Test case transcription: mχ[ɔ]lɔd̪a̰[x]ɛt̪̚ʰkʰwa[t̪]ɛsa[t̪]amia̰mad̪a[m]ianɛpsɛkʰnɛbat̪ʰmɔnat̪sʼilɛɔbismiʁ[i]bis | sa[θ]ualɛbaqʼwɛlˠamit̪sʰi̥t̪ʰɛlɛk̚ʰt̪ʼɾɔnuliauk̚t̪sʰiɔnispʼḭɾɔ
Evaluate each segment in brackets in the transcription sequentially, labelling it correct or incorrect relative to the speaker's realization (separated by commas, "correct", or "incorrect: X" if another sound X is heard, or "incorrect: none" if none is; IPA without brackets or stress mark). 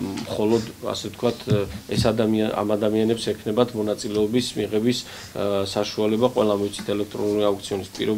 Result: correct, incorrect: s, incorrect: t̪ʰ, incorrect: d̪, correct, incorrect: ɛ, incorrect: ʃ